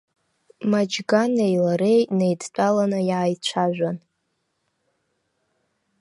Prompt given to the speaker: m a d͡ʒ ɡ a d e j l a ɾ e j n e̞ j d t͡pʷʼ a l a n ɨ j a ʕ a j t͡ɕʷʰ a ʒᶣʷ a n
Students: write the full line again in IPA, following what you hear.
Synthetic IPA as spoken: m a d͡ʒ ɡ a n e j l a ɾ e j n e̞ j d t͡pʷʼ a l a n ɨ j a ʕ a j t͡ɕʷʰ a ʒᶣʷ a n